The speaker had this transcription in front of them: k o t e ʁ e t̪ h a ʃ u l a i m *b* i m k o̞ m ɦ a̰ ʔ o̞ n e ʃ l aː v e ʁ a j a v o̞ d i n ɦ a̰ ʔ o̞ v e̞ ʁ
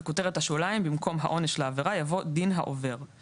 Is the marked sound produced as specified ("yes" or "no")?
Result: yes